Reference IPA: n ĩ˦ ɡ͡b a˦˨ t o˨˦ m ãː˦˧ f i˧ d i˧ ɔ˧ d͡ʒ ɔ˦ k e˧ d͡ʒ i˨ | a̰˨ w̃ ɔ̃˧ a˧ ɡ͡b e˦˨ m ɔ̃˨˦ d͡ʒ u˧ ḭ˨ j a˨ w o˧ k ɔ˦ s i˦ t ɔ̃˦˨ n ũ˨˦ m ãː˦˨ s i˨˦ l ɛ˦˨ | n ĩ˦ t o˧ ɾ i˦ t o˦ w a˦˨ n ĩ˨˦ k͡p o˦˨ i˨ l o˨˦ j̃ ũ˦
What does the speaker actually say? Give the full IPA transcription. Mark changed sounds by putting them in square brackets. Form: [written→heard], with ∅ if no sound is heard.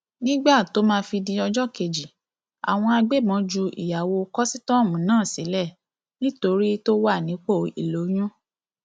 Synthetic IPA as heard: n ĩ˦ ɡ͡b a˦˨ t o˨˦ m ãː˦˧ f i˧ d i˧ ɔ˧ d͡ʒ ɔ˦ k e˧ d͡ʒ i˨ | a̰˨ w̃ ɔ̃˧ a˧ ɡ͡b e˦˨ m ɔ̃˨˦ d͡ʒ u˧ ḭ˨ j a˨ w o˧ k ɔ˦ s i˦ t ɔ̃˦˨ [n→m] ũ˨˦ [m→n] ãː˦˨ s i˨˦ l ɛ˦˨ | n ĩ˦ t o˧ ɾ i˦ t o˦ w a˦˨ n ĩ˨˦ k͡p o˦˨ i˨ l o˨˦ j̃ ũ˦